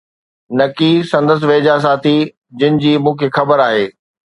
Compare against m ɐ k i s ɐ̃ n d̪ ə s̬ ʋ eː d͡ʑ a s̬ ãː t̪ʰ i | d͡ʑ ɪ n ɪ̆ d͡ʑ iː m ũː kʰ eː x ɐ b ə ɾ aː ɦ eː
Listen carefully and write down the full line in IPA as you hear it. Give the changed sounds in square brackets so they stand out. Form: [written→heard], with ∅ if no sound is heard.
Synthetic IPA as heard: [m→n] ɐ k i s ɐ̃ n d̪ ə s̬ ʋ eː d͡ʑ a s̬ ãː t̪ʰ i | d͡ʑ ɪ n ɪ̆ d͡ʑ iː m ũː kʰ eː x ɐ b ə ɾ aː ɦ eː